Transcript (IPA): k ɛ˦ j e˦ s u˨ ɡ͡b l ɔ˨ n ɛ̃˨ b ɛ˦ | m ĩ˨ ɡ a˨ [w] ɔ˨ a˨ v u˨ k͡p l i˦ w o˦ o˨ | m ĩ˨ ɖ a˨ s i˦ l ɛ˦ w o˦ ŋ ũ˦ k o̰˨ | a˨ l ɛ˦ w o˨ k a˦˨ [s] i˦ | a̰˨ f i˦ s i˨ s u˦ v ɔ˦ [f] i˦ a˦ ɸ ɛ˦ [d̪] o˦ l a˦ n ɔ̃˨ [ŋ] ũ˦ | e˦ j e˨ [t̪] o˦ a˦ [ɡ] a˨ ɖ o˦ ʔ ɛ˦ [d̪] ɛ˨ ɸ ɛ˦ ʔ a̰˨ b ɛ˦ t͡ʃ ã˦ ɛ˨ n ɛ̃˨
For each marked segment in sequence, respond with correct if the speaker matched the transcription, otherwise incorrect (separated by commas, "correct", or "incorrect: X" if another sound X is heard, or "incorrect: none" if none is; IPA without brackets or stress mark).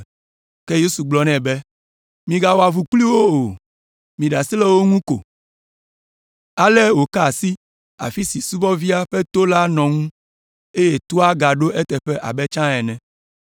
correct, correct, incorrect: v, incorrect: t̪, correct, correct, correct, incorrect: t̪